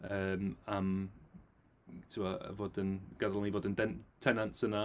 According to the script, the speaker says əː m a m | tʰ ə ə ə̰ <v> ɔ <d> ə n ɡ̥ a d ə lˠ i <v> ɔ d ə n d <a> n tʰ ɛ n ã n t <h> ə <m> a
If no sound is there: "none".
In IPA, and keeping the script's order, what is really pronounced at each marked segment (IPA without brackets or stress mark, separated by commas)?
v, d, v, ɛ, s, n